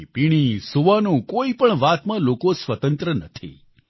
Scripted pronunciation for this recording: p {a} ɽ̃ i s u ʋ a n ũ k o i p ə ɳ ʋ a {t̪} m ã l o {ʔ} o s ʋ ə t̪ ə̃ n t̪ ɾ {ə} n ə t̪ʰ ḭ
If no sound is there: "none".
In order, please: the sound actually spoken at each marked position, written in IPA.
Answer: i, t̪, k, ə

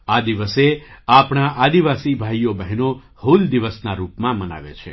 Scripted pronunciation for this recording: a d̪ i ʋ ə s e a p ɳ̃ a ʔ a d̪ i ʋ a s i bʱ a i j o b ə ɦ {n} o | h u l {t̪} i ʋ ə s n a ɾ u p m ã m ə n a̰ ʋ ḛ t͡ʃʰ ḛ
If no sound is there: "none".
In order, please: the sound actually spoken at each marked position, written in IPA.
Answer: n, d̪

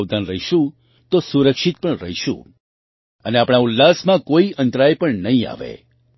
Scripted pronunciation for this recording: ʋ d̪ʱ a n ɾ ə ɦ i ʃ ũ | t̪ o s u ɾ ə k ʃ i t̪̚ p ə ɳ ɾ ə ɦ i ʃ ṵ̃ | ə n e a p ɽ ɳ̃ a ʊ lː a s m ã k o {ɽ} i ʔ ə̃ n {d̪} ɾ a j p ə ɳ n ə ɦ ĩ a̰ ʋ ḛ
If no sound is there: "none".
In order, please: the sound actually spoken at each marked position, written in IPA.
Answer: none, t̪

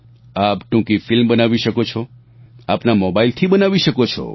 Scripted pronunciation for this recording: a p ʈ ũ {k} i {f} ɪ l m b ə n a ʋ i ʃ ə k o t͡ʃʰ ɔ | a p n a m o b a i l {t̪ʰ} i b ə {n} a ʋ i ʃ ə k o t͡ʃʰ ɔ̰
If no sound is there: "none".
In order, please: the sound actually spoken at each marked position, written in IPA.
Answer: k, f, t̪ʰ, n

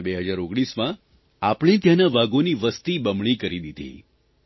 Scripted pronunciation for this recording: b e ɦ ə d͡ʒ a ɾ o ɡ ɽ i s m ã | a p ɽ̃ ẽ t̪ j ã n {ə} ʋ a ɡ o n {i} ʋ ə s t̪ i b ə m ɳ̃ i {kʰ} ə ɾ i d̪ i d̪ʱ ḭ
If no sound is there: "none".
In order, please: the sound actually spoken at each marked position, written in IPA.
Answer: a, i, k

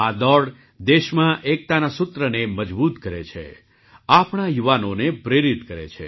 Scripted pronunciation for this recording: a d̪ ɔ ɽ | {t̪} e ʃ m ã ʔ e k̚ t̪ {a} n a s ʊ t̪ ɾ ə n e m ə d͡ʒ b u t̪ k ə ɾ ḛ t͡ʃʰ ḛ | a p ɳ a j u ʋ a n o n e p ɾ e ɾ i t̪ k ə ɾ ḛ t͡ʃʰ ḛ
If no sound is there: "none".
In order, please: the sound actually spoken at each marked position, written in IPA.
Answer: d̪, a

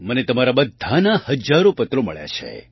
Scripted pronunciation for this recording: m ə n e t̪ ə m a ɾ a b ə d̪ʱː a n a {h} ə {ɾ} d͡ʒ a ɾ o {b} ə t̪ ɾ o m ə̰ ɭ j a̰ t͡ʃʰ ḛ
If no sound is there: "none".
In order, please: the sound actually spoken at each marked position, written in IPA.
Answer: h, none, p

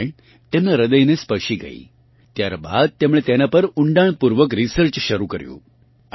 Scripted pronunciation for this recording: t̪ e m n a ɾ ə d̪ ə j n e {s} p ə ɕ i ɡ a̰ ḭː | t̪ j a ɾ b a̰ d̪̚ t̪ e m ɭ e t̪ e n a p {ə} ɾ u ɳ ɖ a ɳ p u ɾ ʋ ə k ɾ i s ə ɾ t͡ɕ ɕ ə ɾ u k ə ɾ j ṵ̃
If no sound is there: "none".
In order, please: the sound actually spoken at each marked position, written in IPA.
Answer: s, ə

